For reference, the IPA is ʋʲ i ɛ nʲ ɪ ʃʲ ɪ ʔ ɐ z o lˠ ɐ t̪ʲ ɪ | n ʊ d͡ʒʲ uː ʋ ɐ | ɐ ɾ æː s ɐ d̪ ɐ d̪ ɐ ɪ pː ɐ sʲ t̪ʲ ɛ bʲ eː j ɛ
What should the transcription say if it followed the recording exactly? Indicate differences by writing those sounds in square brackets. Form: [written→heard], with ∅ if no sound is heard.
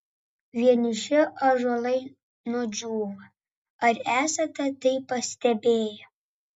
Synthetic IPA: ʋʲ i ɛ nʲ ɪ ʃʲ ɪ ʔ ɐ [z→ʒ] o lˠ ɐ [t̪ʲ→∅] ɪ | n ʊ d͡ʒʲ uː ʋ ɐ | ɐ ɾ æː s ɐ [d̪→t̪] ɐ [d̪→t̪] ɐ ɪ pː ɐ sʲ t̪ʲ ɛ bʲ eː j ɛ